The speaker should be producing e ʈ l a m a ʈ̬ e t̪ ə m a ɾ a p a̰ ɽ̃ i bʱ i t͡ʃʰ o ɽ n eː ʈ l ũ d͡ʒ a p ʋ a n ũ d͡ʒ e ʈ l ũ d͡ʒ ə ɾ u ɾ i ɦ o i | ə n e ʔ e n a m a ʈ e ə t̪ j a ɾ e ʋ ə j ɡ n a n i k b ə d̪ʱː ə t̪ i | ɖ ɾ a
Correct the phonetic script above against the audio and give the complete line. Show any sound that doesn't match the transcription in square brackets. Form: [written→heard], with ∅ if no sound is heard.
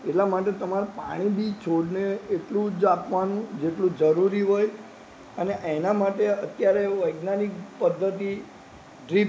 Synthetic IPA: e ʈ l a m a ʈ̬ e t̪ ə m a ɾ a p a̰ ɽ̃ i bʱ i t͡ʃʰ o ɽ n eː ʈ l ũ d͡ʒ a p ʋ a n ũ d͡ʒ e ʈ l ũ d͡ʒ ə ɾ u ɾ i ɦ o [i→j] | ə n e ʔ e n a m a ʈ e ə t̪ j a ɾ e ʋ ə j ɡ n a n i k [b→p] ə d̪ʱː ə t̪ i | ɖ ɾ [a→i]